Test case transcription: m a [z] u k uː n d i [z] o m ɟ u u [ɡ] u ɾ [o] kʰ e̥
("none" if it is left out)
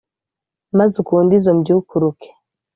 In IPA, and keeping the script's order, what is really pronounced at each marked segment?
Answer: z, z, k, u

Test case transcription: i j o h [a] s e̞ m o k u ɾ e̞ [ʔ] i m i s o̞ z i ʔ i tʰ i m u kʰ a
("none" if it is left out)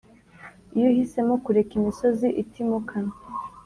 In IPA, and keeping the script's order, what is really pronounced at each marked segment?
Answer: i, k

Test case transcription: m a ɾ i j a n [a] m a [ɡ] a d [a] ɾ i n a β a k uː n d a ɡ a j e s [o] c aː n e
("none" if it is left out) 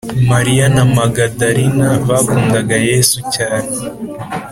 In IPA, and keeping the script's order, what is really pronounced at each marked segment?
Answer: a, ɡ, a, u

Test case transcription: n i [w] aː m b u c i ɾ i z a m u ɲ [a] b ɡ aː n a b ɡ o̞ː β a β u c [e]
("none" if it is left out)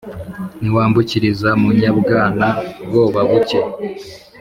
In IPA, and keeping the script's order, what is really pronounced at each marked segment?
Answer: w, a, e

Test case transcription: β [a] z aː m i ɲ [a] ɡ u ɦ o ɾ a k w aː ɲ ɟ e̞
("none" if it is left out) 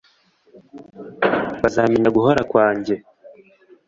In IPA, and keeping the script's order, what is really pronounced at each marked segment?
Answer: a, a

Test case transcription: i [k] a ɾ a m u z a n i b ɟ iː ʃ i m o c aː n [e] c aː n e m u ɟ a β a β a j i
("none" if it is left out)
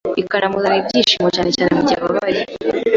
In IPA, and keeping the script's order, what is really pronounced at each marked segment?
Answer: k, e

